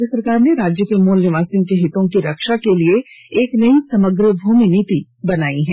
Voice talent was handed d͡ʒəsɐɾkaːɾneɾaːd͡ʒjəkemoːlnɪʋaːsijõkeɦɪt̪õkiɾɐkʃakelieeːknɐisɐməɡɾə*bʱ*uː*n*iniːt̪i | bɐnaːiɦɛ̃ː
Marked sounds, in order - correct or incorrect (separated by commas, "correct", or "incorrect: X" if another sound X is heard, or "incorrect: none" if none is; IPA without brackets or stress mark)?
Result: correct, incorrect: m